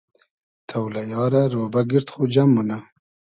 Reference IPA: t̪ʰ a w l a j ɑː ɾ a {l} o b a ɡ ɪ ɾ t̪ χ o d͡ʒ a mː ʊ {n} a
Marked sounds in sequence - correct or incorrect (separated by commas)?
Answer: incorrect, correct